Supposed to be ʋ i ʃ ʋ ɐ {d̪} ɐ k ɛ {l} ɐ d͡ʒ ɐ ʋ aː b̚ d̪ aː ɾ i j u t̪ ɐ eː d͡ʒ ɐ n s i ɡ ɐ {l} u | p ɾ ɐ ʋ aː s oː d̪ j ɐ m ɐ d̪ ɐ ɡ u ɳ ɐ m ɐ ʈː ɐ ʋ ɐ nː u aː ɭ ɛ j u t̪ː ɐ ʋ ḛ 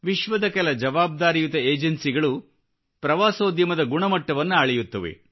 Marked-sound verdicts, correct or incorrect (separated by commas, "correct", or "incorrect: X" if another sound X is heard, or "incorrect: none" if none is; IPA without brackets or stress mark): correct, correct, incorrect: ɭ